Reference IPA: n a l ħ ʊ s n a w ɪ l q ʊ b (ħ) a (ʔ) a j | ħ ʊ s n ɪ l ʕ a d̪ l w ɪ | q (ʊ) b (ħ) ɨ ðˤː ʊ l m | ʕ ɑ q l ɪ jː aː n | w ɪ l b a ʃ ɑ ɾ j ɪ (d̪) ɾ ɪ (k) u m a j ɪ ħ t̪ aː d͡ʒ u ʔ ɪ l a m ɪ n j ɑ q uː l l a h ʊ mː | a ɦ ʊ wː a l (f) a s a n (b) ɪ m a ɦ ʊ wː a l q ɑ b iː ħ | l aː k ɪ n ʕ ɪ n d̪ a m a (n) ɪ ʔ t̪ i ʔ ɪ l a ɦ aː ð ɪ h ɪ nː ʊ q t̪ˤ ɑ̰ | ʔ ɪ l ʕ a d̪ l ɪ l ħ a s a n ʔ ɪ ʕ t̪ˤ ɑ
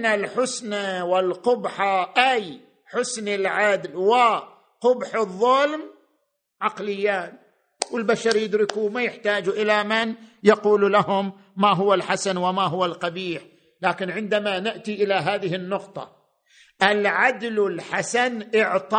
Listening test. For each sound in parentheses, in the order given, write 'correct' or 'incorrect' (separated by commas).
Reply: correct, correct, correct, correct, correct, correct, incorrect, incorrect, correct